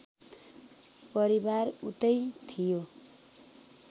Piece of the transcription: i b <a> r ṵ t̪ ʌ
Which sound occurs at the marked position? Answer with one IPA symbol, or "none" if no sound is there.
a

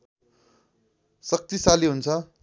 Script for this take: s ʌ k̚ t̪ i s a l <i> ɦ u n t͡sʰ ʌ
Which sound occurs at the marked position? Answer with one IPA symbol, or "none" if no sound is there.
i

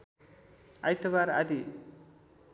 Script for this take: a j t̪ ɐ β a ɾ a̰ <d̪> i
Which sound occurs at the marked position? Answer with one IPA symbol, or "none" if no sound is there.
d̪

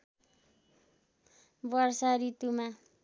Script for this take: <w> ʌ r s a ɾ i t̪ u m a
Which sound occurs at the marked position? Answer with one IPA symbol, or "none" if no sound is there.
b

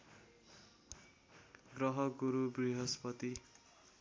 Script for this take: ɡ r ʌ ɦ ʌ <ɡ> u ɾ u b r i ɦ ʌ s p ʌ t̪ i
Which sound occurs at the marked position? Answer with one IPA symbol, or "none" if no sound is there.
ɡ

